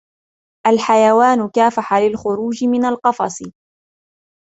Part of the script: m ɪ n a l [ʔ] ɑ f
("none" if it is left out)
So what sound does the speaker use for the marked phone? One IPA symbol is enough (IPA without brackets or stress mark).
q